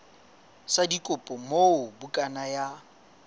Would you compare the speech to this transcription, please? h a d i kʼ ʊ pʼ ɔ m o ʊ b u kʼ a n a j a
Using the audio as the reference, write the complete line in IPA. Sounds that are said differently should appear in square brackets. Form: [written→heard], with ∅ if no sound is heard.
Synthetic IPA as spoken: [h→s] a d i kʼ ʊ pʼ ɔ m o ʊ b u kʼ a n a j a